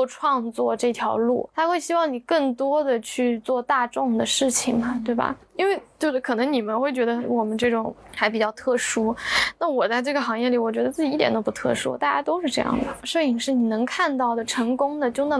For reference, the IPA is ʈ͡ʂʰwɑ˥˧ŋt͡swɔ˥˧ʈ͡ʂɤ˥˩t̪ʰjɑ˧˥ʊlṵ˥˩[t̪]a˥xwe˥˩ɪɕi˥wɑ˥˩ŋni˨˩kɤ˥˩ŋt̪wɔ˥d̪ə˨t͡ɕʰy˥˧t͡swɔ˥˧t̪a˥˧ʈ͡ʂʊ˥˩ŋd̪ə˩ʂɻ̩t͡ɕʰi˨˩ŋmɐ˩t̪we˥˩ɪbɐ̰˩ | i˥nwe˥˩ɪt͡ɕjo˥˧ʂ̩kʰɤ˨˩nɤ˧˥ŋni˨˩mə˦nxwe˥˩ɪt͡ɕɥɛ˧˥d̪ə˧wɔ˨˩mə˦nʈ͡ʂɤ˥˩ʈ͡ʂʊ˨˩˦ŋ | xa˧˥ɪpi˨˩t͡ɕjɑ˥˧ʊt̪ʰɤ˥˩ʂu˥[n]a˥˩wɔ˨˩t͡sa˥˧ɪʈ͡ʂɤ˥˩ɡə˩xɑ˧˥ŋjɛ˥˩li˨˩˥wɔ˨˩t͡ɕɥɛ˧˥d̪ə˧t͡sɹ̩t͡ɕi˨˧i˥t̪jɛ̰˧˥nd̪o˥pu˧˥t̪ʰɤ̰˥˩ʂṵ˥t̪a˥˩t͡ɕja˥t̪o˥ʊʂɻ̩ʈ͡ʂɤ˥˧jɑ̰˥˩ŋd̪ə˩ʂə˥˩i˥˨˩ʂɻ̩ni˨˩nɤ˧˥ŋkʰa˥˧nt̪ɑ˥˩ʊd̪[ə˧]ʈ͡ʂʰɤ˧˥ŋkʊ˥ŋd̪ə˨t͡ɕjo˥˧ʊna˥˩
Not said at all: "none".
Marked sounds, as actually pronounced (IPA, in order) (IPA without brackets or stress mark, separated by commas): t̪ʰ, n, ə˩